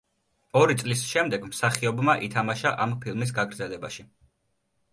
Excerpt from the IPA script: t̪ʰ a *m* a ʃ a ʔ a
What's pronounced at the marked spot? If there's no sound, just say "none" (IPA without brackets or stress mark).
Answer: m